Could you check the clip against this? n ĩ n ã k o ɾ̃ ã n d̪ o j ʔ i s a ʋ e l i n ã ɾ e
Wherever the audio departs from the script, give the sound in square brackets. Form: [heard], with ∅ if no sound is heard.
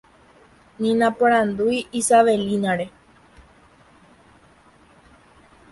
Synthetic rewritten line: n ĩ n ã [p] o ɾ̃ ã n d̪ [u] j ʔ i s a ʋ e l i n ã ɾ e